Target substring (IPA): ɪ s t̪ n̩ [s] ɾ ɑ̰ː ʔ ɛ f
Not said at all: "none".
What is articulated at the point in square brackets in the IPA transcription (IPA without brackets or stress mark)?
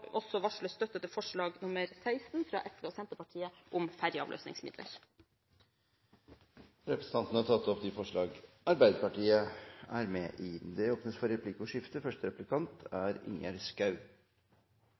f